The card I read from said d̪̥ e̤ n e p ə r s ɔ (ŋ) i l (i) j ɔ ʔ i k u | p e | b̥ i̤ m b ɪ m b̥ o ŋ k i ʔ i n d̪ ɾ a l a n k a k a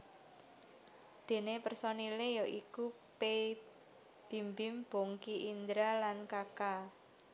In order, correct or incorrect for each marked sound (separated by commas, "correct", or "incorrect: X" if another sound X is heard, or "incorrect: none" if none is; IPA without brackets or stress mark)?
incorrect: n, incorrect: e